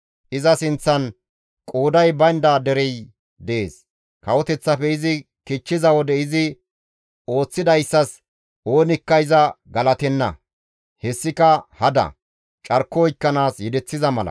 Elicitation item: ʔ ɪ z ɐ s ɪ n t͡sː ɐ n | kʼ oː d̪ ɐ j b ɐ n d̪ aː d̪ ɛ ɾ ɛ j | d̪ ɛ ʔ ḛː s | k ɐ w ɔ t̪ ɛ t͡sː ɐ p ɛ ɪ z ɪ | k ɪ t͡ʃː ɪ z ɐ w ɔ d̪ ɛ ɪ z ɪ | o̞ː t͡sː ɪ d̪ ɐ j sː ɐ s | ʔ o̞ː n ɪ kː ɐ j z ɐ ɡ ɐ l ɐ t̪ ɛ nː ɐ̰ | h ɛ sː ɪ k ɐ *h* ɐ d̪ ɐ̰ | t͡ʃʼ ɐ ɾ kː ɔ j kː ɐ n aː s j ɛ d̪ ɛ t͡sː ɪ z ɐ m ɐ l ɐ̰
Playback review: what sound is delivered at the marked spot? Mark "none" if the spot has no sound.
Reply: h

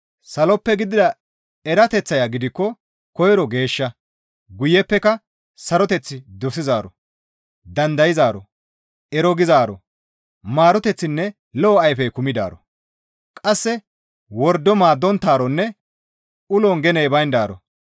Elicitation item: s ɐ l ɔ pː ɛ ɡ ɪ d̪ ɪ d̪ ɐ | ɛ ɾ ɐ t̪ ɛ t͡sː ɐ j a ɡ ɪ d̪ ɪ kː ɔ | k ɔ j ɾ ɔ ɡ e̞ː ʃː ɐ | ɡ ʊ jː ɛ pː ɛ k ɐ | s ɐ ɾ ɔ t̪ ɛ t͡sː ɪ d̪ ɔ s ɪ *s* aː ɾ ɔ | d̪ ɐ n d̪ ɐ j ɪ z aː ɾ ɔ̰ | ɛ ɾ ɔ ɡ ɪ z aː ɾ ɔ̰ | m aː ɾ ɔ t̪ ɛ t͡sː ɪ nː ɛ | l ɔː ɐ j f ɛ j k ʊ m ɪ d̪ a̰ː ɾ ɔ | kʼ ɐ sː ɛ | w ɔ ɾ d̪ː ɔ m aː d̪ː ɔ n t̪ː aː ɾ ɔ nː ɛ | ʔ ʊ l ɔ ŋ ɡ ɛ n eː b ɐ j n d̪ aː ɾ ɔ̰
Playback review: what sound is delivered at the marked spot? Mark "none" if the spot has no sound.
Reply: z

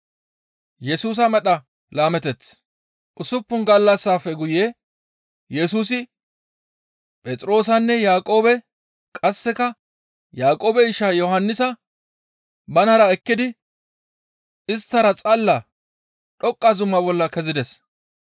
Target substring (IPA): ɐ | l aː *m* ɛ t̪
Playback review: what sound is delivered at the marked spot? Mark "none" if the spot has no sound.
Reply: m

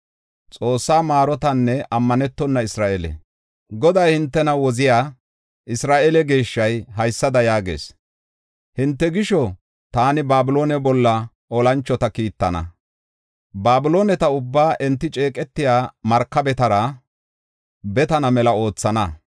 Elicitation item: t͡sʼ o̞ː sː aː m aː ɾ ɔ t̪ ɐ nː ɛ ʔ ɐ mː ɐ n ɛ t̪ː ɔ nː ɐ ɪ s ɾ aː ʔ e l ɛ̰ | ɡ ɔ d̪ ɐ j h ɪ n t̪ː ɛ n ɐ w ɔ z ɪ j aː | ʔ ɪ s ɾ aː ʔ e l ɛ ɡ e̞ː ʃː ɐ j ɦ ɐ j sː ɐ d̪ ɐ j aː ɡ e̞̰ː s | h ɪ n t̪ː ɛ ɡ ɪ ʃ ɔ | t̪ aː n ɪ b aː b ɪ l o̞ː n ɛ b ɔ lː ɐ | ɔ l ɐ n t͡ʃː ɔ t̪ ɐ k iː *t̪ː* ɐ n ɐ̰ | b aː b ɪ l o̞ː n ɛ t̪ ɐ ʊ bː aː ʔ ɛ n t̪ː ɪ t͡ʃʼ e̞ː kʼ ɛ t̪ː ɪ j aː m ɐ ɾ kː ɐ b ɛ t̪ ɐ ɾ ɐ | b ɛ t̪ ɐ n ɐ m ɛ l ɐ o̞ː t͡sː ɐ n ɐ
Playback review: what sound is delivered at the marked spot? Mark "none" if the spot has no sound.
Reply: t̪ː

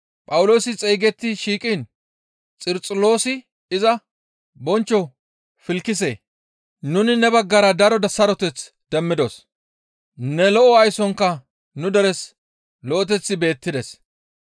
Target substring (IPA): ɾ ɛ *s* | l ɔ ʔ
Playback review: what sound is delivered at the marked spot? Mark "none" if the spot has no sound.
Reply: s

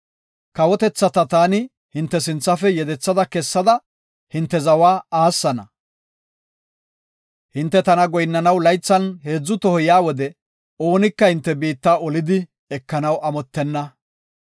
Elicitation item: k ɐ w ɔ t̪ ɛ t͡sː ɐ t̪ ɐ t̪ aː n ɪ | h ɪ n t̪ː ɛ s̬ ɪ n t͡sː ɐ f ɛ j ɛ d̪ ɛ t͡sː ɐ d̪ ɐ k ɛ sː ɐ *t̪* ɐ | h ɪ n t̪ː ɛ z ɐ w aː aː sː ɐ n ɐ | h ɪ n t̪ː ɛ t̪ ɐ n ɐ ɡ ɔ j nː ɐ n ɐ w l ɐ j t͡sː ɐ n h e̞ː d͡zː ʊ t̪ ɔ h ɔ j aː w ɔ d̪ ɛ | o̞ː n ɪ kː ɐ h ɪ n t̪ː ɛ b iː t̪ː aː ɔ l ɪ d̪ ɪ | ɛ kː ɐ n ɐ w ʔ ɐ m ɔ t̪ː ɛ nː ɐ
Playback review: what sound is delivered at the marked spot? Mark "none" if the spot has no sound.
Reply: d̪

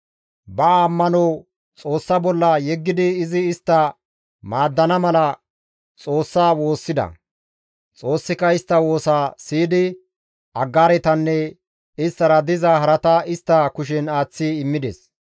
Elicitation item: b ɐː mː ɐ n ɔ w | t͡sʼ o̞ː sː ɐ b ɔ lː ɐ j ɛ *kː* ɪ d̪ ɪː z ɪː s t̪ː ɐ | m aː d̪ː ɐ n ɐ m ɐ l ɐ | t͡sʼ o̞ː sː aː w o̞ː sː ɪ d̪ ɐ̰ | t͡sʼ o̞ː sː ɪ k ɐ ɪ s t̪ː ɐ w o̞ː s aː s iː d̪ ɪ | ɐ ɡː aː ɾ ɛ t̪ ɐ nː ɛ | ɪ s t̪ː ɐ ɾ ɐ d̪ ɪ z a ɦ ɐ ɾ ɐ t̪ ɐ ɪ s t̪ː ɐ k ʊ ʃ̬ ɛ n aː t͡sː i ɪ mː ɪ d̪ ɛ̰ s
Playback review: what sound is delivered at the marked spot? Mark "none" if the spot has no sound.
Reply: ɡː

